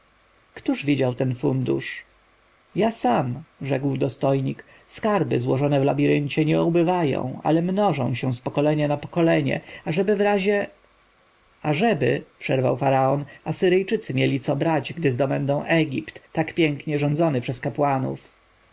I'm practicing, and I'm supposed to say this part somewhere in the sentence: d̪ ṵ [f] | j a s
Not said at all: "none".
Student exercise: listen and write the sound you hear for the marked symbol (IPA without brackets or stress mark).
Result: ʂ